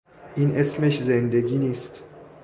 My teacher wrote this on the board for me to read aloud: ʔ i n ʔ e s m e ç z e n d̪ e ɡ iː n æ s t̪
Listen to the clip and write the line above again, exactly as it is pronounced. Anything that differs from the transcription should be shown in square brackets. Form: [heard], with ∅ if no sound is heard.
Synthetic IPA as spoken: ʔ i n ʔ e s m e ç z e n d̪ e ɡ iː n [i] s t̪